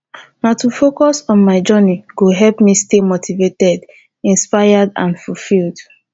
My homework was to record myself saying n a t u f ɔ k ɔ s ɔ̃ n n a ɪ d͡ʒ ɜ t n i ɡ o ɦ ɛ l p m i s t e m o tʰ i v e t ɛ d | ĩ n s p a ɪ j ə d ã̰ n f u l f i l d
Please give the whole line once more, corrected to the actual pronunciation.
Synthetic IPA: n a t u f o k ɔ s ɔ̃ n m a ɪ d͡ʒ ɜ n i ɡ o ɦ ɛ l p m i s t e m o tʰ i v e t ɛ d | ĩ n s p a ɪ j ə d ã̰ n f u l f i l d